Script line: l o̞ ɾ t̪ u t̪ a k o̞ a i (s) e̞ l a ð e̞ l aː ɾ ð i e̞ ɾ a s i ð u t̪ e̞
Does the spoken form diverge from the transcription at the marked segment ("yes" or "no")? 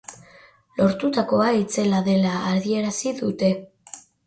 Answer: yes